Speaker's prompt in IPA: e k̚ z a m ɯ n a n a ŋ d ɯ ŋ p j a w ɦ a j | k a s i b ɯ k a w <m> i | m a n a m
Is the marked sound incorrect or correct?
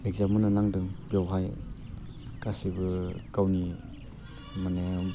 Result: incorrect